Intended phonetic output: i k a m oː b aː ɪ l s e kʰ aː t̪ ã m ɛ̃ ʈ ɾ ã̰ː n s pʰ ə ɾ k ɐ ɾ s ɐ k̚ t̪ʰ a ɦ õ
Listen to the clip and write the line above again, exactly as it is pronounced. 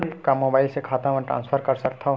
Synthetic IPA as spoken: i k a m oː b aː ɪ l s e kʰ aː t̪ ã m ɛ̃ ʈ ɾ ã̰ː n s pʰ ə ɾ k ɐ ɾ s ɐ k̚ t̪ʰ a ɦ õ